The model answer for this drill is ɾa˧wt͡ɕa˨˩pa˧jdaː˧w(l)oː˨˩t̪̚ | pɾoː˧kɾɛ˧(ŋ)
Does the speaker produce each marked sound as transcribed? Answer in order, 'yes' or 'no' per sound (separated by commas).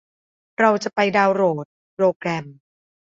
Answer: no, no